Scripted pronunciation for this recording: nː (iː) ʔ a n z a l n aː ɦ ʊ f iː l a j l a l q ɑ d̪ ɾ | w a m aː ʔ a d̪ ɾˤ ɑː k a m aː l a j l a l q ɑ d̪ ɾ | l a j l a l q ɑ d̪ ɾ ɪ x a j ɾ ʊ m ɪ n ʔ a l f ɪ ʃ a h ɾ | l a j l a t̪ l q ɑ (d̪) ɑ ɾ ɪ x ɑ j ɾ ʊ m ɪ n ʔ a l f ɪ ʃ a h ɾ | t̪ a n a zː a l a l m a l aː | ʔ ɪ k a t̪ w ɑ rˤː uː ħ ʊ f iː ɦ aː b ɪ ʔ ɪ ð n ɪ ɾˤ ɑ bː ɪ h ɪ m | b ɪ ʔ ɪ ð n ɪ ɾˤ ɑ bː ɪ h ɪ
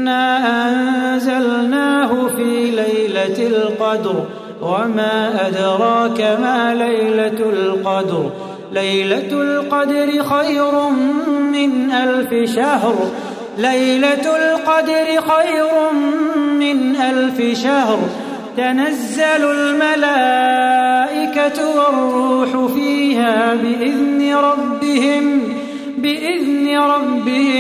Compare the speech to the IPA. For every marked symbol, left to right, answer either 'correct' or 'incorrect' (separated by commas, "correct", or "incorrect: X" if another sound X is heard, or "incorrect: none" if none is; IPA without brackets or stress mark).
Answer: incorrect: aː, correct